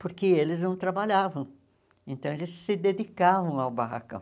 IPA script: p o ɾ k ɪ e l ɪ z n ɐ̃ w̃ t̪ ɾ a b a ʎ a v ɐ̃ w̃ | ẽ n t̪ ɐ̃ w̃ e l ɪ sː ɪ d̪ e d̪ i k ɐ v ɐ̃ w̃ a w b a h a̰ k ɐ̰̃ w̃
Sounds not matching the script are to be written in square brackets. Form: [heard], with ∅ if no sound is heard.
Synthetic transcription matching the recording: p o ɾ k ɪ e l ɪ z n ɐ̃ w̃ t̪ ɾ a b a ʎ a v ɐ̃ w̃ | ẽ n t̪ ɐ̃ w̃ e l ɪ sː ɪ d̪ e d̪ i k [a] v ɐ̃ w̃ a w b a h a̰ k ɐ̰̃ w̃